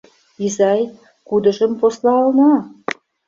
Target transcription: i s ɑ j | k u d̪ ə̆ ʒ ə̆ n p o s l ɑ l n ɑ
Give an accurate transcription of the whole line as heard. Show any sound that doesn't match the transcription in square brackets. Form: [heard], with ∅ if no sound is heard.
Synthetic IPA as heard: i [z] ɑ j | k u d̪ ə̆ ʒ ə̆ [m] p o s l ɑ l n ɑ